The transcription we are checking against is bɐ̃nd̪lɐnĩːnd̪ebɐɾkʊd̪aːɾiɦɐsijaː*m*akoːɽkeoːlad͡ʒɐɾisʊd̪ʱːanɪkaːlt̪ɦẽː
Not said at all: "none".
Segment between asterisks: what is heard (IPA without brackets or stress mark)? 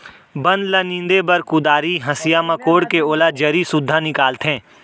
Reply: m